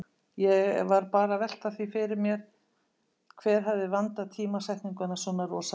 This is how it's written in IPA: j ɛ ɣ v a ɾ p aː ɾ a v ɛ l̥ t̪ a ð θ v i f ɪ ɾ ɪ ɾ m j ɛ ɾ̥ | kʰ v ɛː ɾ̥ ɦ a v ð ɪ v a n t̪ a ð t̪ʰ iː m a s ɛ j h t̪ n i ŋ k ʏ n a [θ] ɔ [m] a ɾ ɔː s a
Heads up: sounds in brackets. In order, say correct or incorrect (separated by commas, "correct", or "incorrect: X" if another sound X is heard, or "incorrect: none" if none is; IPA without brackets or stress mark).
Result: incorrect: s, incorrect: n